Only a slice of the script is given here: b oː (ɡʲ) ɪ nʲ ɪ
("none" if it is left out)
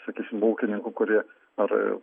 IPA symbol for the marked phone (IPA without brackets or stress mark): kʲ